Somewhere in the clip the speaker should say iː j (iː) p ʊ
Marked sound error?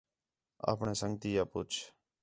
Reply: yes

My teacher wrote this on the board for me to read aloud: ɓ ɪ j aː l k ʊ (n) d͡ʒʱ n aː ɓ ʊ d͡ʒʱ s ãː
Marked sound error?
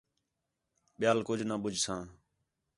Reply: yes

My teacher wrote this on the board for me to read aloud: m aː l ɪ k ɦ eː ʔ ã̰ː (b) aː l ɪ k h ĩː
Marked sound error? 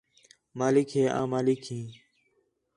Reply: yes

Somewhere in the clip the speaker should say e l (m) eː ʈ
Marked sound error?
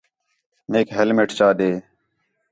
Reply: no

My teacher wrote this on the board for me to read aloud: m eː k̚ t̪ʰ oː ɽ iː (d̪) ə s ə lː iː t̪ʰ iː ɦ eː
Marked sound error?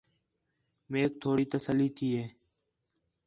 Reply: yes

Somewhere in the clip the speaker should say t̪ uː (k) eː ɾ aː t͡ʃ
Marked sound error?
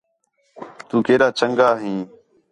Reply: no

